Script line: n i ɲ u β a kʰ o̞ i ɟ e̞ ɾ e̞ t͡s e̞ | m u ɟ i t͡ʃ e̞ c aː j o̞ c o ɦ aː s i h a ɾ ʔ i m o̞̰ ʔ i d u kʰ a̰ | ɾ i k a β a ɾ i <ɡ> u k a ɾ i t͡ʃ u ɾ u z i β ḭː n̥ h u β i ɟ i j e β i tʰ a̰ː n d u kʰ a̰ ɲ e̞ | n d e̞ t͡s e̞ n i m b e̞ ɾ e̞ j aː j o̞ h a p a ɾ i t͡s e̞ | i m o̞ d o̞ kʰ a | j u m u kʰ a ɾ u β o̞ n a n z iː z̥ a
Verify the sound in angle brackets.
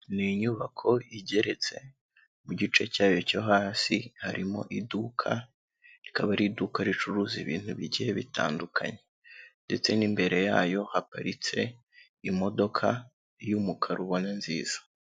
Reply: incorrect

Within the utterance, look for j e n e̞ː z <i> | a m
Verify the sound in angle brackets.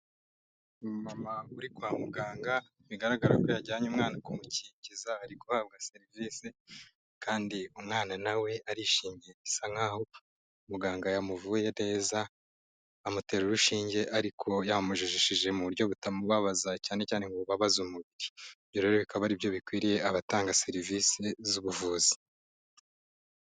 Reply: incorrect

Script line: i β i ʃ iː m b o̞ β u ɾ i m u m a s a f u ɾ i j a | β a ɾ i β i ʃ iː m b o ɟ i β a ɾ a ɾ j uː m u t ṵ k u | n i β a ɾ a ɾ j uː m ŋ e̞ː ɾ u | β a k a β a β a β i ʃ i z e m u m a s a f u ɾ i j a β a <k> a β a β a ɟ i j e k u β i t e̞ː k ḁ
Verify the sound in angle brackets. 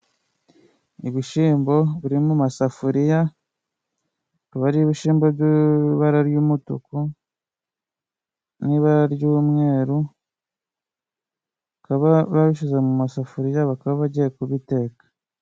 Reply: correct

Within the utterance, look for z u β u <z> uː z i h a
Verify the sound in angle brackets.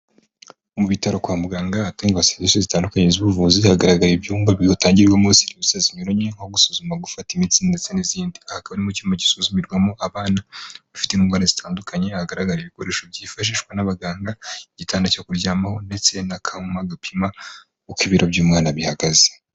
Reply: incorrect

